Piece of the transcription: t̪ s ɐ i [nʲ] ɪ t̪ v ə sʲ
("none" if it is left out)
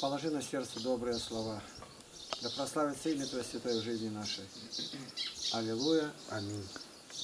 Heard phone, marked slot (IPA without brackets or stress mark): mʲ